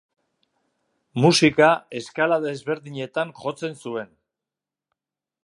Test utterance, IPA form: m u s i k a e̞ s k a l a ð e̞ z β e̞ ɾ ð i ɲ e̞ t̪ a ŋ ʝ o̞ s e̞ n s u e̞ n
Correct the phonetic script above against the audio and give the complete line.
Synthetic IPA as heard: m u s i k a e̞ s k a l a ð e̞ z β e̞ ɾ ð i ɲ e̞ t̪ a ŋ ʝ o̞ t͡s e̞ n s u e̞ n